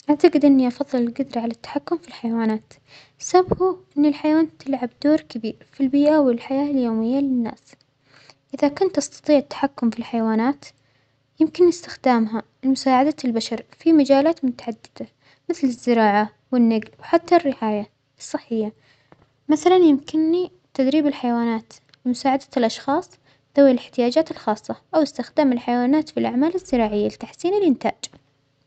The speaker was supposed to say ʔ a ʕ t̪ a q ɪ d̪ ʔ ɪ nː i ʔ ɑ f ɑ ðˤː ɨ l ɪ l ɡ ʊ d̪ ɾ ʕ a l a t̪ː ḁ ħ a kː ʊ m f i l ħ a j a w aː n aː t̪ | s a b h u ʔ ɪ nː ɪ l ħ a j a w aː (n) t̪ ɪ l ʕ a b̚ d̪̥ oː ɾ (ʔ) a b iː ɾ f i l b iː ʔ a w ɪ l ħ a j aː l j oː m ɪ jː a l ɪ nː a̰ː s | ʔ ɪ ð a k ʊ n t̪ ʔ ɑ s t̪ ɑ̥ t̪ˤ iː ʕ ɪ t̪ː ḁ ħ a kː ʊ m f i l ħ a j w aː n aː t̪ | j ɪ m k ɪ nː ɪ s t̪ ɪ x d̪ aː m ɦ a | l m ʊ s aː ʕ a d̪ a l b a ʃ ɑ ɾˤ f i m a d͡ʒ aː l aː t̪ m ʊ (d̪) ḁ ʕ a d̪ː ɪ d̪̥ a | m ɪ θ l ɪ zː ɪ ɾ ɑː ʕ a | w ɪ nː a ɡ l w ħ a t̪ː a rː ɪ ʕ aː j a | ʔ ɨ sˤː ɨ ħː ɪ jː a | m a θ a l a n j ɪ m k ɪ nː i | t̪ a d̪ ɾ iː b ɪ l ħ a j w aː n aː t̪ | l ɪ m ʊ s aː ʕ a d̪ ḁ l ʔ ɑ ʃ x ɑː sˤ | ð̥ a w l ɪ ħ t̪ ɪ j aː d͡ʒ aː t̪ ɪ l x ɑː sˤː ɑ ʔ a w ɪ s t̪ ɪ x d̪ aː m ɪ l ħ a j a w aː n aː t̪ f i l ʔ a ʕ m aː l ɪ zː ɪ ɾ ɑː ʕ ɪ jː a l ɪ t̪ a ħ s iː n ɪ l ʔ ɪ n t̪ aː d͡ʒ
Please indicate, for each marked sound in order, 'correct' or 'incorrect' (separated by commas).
correct, incorrect, incorrect